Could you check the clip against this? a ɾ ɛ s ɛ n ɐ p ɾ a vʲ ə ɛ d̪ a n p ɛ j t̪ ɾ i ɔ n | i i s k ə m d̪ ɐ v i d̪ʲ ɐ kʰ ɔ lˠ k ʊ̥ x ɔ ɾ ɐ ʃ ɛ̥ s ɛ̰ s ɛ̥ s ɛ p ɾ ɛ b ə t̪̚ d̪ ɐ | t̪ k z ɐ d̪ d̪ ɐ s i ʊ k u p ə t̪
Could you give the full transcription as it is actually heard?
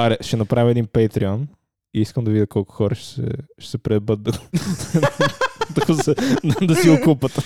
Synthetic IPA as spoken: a ɾ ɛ ʃ ɛ n ɐ p ɾ a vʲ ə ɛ d̪ i n p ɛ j t̪ ɾ i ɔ n | i i s k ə m d̪ ɐ v i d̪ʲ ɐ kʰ ɔ lˠ k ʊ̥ x ɔ ɾ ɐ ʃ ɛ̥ s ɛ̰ ʃ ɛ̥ s ɛ p ɾ ɛ b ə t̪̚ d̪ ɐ | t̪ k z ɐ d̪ d̪ ɐ s i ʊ k u p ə t̪